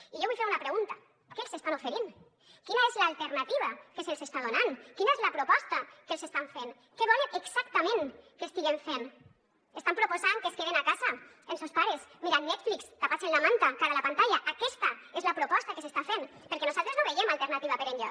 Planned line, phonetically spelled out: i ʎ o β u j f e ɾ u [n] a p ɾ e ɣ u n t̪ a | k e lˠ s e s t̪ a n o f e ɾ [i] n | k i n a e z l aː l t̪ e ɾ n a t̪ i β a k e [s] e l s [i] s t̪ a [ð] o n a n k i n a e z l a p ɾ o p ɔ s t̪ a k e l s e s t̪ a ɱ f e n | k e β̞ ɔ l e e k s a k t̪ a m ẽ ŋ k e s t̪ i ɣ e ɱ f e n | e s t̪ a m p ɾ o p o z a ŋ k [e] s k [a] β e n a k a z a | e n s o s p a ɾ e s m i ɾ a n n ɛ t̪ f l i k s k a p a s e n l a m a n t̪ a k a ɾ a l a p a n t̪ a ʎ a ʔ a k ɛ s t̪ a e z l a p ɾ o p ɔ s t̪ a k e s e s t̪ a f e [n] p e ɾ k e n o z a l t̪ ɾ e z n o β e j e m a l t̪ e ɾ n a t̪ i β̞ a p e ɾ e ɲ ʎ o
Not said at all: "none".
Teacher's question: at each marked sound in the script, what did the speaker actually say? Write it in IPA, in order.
n, i, s, e, ð, e, e, n

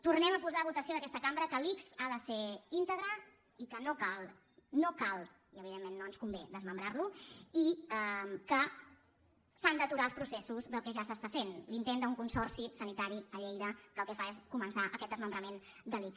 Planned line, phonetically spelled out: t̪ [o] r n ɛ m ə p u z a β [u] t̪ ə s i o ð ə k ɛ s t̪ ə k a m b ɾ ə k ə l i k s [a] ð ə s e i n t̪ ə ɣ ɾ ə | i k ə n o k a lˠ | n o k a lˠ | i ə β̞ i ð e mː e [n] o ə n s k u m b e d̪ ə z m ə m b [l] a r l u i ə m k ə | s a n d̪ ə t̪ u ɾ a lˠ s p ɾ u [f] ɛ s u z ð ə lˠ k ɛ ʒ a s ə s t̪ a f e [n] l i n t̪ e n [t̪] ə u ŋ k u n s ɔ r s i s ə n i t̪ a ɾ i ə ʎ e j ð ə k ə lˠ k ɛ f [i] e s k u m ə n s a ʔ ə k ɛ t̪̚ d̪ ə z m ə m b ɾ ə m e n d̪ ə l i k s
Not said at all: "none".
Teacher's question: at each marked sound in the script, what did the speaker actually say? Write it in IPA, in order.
u, u, a, nː, ɾ, s, n, d̪, a

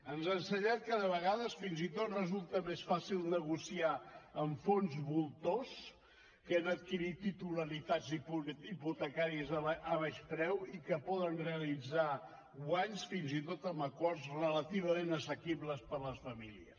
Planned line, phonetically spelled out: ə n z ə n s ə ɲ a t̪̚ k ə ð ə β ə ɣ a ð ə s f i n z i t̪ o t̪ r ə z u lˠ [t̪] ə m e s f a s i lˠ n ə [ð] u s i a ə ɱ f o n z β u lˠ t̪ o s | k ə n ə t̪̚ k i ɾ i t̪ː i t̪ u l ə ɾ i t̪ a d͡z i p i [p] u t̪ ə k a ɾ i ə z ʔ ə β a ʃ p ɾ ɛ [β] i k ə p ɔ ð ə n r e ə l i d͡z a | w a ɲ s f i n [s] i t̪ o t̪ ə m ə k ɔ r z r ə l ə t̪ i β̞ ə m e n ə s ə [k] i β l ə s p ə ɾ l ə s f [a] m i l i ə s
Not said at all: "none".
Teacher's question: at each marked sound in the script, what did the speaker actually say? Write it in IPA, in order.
t̪, ɣ, p, w, z, k, ə

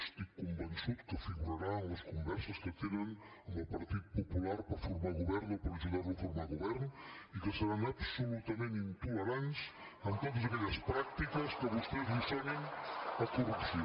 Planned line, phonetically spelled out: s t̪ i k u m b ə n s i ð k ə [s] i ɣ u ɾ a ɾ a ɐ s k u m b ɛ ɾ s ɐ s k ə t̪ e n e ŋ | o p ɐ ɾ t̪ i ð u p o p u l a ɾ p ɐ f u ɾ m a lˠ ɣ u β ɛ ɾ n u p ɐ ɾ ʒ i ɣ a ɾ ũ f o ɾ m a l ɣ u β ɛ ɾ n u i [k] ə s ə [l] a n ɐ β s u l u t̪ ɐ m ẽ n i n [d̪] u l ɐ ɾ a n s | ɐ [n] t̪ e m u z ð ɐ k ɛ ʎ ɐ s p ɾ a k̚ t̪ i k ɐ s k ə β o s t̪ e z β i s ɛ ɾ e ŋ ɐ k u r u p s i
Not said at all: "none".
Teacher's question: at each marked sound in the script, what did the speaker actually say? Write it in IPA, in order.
f, k, ɾ, t̪, n

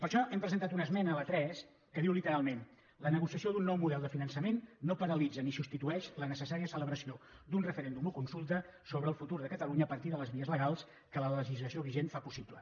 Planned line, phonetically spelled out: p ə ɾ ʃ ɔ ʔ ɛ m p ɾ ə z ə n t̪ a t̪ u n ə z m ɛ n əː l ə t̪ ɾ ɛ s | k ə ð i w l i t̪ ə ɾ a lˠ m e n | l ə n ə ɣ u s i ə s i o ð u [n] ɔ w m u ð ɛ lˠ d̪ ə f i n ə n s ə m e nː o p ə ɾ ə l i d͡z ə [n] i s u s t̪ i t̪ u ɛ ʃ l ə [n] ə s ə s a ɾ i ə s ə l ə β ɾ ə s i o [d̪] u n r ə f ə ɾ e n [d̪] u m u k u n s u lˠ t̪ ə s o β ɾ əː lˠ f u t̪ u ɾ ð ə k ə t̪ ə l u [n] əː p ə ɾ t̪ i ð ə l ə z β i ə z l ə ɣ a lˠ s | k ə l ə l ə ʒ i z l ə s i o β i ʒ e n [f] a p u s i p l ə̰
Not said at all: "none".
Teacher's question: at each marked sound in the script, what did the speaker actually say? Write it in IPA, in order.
nː, n, n, d̪, d̪, ɲ, f

